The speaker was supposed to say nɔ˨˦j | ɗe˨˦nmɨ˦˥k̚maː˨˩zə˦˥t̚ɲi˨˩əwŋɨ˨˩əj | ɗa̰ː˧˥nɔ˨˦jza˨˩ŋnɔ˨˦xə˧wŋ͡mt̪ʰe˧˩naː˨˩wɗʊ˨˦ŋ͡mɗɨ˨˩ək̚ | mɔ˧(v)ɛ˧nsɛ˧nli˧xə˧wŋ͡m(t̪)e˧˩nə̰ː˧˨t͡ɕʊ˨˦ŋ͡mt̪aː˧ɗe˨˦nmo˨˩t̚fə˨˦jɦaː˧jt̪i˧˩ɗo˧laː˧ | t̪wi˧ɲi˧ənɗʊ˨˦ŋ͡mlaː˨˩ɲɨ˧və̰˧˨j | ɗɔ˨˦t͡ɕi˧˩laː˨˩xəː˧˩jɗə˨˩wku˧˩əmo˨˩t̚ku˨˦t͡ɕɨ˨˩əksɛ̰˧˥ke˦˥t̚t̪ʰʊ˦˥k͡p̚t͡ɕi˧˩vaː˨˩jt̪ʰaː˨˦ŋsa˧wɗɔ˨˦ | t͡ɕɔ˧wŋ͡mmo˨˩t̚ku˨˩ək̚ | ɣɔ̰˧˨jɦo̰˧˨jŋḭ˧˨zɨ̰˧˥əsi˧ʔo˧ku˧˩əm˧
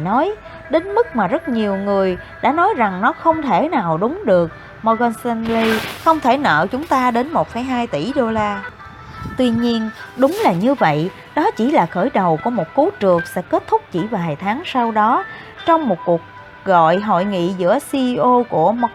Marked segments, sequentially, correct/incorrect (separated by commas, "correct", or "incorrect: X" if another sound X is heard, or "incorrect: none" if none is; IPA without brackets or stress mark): incorrect: ɣ, incorrect: t̪ʰ